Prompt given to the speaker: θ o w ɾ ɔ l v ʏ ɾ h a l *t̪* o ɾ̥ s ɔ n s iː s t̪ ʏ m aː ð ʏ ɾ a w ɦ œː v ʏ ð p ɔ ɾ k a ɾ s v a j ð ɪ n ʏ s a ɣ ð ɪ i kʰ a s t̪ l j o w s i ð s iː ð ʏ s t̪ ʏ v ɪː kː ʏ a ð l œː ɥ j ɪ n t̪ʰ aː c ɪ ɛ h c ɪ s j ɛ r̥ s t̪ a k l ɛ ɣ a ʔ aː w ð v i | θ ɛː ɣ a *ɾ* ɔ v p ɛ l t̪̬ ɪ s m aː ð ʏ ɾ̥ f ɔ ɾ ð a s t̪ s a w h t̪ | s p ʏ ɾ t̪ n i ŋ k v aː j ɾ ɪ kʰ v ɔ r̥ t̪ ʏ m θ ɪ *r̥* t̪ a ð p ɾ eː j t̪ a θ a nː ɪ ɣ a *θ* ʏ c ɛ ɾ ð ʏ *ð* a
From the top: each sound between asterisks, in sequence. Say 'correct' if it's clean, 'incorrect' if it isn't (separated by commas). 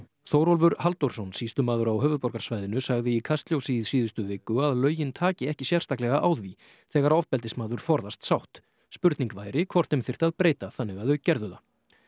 correct, correct, correct, incorrect, correct